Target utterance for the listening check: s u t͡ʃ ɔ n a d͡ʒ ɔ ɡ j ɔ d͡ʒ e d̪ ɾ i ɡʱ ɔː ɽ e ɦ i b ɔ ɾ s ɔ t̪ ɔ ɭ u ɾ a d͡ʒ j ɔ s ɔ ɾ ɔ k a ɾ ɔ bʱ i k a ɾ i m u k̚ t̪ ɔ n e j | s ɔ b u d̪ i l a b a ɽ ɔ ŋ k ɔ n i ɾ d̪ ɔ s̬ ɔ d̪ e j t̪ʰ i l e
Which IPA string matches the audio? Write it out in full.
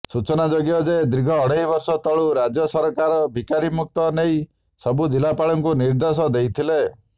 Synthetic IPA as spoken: s u t͡ʃ ɔ n a d͡ʒ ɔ ɡ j ɔ d͡ʒ e d̪ ɾ i ɡʱ ɔː ɽ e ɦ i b ɔ ɾ s ɔ t̪ ɔ ɭ u ɾ a d͡ʒ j ɔ s ɔ ɾ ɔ k a ɾ ɔ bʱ i k a ɾ i m u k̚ t̪ ɔ n e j | s ɔ b u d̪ i l a p a ɭ ɔ ŋ k u n i ɾ d̪ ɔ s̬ ɔ d̪ e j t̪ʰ i l e